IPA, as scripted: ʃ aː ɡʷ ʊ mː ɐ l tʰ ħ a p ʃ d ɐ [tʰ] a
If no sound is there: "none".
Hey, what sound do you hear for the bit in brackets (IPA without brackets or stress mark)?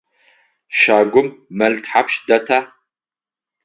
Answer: tʰ